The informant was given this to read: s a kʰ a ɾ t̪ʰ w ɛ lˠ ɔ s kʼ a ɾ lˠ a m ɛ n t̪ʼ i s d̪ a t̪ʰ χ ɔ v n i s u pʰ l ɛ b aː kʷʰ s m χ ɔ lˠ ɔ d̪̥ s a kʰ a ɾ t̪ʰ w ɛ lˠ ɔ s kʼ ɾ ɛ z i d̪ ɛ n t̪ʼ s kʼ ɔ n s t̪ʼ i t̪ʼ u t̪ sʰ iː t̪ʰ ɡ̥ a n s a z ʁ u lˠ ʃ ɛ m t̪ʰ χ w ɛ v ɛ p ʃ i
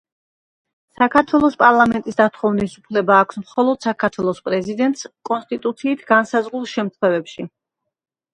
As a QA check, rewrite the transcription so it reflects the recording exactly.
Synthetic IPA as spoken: s a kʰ a ɾ t̪ʰ w ɛ lˠ ɔ s pʼ a ɾ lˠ a m ɛ n t̪ʼ i s d̪ a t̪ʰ χ ɔ v n i s u pʰ l ɛ b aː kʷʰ s m χ ɔ lˠ ɔ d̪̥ s a kʰ a ɾ t̪ʰ w ɛ lˠ ɔ s pʼ ɾ ɛ z i d̪ ɛ n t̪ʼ s kʼ ɔ n s t̪ʼ i t̪ʼ u t̪ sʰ iː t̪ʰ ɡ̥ a n s a z ʁ u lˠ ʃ ɛ m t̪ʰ χ w ɛ v ɛ p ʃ i